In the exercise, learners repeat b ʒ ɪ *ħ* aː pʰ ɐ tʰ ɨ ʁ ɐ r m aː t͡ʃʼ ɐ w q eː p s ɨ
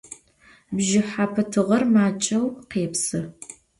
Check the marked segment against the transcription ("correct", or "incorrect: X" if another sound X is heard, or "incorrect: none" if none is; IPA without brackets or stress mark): correct